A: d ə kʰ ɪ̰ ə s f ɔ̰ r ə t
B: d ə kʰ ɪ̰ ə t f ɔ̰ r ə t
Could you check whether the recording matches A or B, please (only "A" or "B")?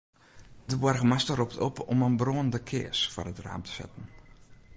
A